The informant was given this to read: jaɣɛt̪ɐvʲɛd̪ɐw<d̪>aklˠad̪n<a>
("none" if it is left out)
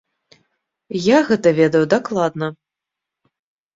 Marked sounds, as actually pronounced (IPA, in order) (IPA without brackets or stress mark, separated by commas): d̪, ɐ